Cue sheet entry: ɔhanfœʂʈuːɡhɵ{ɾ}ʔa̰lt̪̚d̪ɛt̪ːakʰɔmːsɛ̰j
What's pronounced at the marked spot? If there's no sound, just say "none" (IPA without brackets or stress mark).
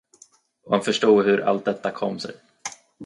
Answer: ɾ